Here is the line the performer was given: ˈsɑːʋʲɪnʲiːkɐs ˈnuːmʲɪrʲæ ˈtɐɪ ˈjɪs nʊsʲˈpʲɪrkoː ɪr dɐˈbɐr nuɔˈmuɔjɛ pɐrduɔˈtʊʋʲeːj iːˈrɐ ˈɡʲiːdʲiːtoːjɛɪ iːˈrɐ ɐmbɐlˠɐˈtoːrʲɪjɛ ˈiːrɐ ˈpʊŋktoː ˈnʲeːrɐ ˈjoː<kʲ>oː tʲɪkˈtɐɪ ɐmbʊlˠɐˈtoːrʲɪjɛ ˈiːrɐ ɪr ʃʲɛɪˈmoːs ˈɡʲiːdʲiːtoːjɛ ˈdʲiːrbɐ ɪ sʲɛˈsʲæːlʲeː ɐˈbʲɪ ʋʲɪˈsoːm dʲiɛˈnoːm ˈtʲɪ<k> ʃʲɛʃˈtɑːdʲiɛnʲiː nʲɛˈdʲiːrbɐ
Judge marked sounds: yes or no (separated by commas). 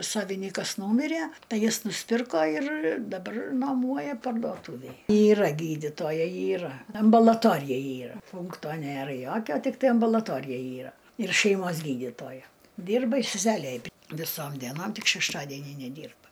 yes, yes